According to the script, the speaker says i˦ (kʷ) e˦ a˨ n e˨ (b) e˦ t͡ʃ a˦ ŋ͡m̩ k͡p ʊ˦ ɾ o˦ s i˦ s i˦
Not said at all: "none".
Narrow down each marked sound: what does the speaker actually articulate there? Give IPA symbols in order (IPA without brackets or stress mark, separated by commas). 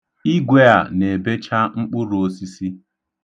ɡʷ, b